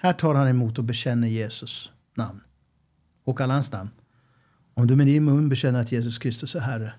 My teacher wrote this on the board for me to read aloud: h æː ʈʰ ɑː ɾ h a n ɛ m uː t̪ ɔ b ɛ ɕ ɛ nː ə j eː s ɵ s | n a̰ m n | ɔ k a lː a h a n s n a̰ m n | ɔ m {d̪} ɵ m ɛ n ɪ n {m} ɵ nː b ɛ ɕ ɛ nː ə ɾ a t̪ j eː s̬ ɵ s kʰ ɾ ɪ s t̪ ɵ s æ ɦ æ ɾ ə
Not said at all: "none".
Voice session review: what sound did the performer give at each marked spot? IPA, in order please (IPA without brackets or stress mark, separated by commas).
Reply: d̪, m